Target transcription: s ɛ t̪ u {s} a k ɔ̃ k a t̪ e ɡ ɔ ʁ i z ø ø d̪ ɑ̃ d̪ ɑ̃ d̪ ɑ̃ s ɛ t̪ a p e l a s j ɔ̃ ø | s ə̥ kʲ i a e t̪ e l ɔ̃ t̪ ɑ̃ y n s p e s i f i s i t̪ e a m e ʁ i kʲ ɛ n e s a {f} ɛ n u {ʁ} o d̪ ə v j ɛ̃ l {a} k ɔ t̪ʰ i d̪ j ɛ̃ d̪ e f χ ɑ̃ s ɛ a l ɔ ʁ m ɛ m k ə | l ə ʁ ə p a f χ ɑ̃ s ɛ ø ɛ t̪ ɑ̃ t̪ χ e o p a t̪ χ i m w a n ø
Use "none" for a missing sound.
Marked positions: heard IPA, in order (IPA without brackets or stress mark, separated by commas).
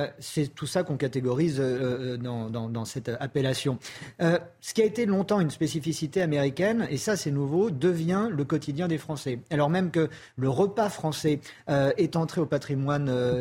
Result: s, s, v, ə